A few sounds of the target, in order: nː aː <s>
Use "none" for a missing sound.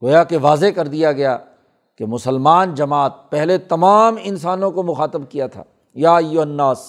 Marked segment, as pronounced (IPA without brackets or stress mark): s